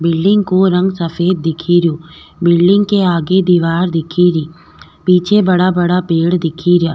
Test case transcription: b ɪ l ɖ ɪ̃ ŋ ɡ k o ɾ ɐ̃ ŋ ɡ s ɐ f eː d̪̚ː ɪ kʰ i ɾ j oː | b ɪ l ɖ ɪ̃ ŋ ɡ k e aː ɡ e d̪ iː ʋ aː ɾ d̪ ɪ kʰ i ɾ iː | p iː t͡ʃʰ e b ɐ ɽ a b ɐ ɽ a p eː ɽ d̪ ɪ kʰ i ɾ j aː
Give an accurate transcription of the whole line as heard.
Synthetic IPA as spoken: b ɪ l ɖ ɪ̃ ŋ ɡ k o ɾ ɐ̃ ŋ ɡ s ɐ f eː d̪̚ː ɪ kʰ i ɾ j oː | b ɪ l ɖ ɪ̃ ŋ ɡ k e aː ɡ e d̪ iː ʋ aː ɾ d̪ ɪ kʰ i ɾ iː | p iː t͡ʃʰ e b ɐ ɽ a b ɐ ɽ a p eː ɽ d̪ ɪ kʰ i ɾ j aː

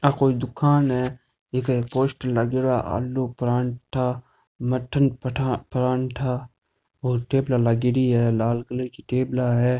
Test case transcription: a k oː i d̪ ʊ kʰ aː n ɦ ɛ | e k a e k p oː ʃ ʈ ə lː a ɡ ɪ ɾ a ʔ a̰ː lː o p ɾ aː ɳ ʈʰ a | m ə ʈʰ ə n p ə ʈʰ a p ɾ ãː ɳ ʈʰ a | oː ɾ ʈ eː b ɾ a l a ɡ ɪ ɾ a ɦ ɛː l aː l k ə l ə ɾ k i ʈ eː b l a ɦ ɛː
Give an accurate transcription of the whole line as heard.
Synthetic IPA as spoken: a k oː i d̪ ʊ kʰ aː n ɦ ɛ | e k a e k p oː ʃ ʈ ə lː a ɡ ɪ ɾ a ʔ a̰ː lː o p ɾ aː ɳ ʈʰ a | m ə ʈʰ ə n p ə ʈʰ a p ɾ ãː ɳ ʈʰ a | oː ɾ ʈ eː b l a l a ɡ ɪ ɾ i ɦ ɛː l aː l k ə l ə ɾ k i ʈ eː b l a ɦ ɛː

